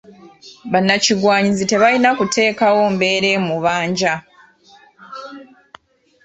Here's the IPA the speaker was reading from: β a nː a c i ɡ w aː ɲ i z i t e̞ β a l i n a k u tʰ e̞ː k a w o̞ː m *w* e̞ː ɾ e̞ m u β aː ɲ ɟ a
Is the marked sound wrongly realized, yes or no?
yes